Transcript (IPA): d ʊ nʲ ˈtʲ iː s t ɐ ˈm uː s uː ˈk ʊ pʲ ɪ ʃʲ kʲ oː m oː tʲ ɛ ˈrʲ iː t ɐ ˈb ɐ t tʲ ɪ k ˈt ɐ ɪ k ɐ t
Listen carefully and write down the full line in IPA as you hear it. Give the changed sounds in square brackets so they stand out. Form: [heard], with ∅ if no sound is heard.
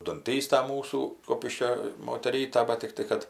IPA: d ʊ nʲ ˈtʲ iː s t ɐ ˈm uː s uː ˈk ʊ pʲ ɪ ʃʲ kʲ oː m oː tʲ ɛ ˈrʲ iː t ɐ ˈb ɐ t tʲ ɪ k ˈt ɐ ɪ k ɐ t